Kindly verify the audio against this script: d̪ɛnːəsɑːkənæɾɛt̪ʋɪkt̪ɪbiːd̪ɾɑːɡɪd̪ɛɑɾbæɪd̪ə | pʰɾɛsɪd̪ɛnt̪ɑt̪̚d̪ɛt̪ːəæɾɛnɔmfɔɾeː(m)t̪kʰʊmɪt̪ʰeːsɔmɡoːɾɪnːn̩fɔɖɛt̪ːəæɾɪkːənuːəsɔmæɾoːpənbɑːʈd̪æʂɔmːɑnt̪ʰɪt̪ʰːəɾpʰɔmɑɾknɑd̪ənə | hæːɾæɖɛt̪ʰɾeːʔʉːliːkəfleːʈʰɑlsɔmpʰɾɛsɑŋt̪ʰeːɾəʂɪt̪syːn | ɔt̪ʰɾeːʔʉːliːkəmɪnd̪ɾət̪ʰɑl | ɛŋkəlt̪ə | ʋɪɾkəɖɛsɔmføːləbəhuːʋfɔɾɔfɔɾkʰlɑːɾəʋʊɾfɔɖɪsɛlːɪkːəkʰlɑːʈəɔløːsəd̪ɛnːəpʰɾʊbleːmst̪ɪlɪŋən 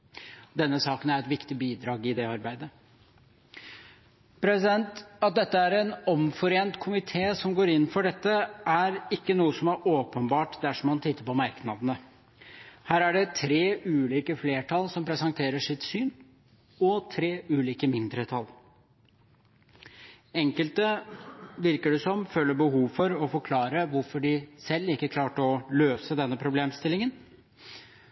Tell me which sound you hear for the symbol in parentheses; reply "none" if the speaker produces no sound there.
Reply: n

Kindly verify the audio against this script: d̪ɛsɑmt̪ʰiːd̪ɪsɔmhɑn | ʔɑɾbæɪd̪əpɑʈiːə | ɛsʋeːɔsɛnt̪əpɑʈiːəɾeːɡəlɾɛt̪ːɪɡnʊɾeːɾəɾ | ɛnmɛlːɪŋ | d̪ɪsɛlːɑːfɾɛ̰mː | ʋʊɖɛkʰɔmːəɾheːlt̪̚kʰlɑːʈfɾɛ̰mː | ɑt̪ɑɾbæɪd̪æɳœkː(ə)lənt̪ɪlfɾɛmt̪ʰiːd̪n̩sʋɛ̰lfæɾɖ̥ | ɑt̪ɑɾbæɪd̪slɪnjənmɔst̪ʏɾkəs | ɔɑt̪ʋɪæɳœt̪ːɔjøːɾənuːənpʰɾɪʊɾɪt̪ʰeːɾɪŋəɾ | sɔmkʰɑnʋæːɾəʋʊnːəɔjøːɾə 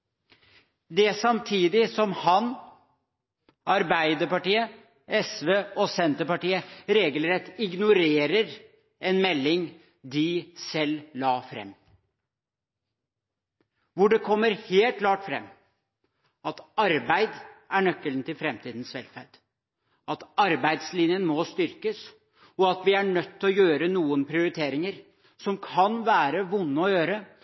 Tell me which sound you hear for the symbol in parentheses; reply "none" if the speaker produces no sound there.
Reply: ə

